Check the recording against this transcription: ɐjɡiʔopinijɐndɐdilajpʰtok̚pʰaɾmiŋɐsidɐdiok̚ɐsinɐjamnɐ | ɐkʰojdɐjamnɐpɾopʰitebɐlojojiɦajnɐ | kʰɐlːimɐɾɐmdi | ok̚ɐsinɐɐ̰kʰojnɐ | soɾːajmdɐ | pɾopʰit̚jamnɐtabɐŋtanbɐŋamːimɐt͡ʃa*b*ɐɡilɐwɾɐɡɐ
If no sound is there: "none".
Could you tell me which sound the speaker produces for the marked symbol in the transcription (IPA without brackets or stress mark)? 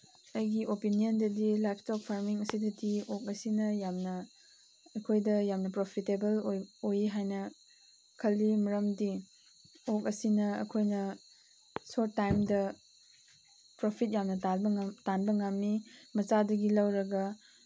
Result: d